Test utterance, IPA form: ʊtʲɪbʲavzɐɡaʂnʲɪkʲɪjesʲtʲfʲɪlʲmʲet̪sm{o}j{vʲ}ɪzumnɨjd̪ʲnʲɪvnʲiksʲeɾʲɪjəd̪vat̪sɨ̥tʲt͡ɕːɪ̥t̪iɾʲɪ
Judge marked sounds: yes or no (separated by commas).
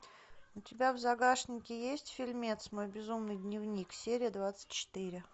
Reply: yes, no